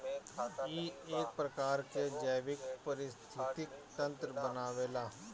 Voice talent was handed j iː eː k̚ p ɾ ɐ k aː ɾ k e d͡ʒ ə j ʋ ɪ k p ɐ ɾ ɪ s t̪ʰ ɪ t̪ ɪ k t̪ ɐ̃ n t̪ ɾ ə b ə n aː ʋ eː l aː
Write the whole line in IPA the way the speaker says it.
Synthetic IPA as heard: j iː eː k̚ p ɾ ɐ k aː ɾ k e d͡ʒ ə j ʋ ɪ k p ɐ ɾ ɪ s t̪ʰ ɪ t̪ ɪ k t̪ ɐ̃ n t̪ ɾ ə b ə n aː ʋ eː l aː